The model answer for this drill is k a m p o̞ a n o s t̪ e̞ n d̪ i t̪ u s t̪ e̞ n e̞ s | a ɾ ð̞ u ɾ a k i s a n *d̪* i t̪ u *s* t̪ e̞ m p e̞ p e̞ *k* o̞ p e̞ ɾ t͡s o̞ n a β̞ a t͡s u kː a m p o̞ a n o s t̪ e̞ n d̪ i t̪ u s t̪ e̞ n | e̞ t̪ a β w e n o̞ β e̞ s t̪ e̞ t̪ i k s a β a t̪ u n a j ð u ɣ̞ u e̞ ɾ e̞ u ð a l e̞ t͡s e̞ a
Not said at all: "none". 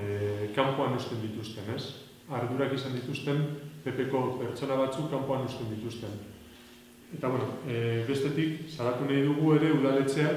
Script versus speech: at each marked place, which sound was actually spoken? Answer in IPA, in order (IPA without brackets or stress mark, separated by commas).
d̪, s, k